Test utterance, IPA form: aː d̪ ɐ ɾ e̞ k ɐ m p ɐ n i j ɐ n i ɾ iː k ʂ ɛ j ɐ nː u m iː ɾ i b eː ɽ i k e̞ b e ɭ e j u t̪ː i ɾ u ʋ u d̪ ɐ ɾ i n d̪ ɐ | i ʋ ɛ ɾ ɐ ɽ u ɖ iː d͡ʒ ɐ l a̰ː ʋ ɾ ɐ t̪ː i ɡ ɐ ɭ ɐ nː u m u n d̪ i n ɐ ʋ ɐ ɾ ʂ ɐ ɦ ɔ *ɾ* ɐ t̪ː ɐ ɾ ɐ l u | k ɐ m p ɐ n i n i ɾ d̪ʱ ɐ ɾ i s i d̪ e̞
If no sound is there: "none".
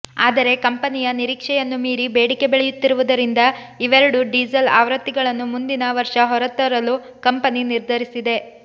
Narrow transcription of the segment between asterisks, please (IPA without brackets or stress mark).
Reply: ɾ